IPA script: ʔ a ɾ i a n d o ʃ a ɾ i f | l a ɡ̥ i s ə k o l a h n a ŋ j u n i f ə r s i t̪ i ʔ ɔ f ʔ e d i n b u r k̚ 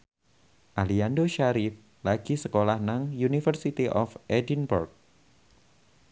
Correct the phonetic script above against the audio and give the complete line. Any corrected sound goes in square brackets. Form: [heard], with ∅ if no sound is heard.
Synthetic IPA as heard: ʔ a [l] i a n d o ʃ a ɾ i f | l a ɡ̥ i s ə k o l a h n a ŋ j u n i f ə r s i t̪ i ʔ ɔ f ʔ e d i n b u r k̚